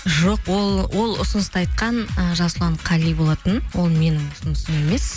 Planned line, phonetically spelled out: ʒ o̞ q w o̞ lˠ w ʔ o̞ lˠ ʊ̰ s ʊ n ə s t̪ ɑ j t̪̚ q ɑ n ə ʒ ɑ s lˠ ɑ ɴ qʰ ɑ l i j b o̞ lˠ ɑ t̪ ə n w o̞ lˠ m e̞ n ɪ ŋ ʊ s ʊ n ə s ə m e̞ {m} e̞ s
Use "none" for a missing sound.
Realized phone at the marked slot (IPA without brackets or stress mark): m